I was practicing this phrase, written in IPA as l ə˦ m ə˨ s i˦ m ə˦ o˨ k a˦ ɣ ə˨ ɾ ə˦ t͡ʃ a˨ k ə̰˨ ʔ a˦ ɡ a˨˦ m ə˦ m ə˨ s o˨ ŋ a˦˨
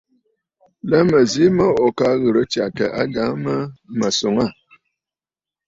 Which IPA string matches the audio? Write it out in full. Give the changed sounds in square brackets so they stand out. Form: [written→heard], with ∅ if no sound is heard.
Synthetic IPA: l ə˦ m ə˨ [s→z] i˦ m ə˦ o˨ k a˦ ɣ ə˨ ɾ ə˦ t͡ʃ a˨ k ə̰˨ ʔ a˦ ɡ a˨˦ m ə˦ m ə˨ s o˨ ŋ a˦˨